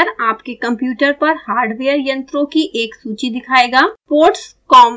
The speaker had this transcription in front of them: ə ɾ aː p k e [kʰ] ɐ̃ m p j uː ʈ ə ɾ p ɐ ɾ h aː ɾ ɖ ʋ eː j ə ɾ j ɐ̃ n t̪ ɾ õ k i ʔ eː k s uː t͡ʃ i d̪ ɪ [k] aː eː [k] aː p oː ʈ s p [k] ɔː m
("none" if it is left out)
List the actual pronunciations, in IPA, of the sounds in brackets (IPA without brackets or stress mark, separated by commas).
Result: k, kʰ, ɡ, k